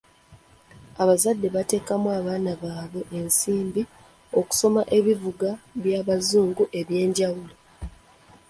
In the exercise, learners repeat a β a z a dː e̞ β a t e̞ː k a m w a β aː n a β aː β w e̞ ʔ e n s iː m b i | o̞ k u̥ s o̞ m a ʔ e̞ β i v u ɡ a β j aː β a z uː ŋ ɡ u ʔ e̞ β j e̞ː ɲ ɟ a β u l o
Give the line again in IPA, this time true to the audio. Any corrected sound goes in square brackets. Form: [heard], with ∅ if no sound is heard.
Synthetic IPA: a β a z a dː e̞ β a t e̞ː k a m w a β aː n a β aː β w e̞ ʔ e n s iː m b i | o̞ k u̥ s o̞ m a ʔ e̞ β i v u ɡ a β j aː β a z uː ŋ ɡ u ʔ e̞ β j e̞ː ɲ ɟ a [w] u l o